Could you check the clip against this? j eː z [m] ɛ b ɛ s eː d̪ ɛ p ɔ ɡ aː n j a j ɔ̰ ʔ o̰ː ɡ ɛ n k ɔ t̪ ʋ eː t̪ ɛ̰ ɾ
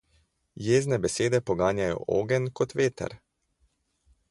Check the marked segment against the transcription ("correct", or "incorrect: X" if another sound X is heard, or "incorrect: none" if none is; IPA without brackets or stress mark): incorrect: n